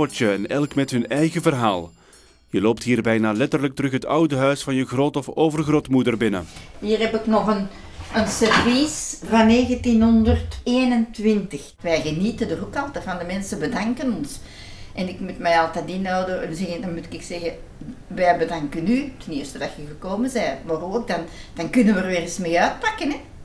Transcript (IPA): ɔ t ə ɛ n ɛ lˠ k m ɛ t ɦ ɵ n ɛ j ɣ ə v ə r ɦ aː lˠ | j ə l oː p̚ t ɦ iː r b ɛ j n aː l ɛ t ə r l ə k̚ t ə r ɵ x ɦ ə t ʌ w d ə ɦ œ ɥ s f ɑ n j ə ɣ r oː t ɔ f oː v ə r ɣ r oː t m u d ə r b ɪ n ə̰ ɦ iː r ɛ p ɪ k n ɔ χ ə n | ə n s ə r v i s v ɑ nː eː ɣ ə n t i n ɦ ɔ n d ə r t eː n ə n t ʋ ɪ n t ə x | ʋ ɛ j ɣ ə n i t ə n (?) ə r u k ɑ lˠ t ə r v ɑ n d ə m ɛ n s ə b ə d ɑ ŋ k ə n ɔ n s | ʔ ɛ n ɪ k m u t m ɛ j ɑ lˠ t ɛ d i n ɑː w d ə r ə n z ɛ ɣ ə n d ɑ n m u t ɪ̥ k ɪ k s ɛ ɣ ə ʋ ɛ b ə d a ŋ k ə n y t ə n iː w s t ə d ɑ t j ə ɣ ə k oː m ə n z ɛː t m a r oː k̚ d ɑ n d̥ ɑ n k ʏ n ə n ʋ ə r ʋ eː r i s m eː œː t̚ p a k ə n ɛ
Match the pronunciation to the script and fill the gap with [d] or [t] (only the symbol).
d